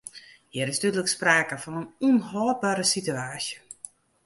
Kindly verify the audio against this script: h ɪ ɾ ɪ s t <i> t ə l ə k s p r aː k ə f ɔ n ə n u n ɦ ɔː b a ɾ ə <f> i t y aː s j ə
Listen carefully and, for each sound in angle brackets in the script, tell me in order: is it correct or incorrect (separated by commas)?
incorrect, incorrect